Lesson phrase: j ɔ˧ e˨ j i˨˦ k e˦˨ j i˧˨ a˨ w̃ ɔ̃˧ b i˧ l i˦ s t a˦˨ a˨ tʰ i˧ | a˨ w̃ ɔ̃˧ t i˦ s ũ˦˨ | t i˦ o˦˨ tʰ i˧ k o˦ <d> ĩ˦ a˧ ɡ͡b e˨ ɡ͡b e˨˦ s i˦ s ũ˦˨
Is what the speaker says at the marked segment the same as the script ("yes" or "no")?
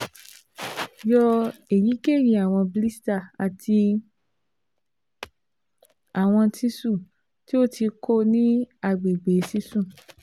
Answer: no